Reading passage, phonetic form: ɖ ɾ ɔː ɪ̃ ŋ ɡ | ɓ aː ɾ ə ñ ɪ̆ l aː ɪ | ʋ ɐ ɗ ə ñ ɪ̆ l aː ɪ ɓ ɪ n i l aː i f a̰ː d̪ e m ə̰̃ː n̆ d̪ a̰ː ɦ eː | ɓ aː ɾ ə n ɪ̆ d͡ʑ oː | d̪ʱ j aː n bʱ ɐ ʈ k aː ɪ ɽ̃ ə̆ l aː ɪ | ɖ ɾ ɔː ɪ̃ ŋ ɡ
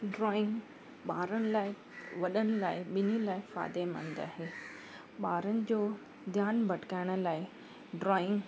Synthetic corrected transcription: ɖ ɾ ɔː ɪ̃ ŋ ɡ | ɓ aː ɾ ə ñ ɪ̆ l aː ɪ | ʋ ɐ ɗ ə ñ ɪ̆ l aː ɪ ɓ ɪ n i l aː ɪ f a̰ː d̪ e m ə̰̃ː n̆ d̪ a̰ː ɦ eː | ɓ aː ɾ ə n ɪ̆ d͡ʑ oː | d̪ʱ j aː n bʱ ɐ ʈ k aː ɪ ɽ̃ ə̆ l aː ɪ | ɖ ɾ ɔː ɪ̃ ŋ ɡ